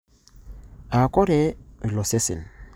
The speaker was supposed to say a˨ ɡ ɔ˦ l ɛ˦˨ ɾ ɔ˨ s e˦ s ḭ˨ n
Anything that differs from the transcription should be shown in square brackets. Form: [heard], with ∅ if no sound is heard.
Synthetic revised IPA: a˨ [k] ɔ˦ [ɾ] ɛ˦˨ [l] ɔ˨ s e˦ s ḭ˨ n